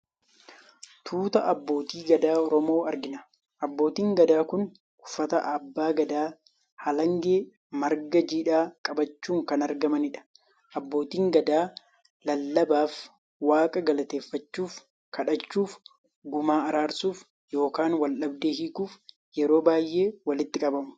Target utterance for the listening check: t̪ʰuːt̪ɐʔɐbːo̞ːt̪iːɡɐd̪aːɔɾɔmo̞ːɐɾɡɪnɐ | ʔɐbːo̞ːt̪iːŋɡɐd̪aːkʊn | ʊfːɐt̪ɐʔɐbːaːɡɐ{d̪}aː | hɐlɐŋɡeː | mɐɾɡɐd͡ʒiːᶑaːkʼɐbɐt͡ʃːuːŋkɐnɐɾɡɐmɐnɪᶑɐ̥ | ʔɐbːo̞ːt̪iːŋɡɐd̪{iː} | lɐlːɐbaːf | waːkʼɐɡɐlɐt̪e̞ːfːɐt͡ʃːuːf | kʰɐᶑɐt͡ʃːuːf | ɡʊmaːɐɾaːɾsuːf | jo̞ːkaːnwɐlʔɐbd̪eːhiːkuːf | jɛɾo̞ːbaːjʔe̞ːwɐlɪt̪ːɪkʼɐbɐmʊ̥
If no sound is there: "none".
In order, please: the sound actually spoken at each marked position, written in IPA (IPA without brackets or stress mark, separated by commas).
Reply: d̪, aː